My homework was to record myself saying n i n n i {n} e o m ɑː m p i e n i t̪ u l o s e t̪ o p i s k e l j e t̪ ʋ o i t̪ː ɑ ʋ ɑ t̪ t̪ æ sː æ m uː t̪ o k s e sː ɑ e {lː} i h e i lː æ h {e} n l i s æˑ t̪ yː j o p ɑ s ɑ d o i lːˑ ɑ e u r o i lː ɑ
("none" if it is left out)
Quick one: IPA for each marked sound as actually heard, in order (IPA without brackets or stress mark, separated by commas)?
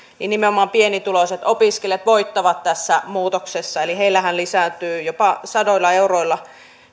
m, l, æ